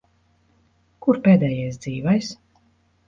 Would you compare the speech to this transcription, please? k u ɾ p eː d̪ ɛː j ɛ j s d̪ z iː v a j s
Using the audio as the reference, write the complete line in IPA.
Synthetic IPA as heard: k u ɾ p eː d̪ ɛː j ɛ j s d̪ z iː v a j s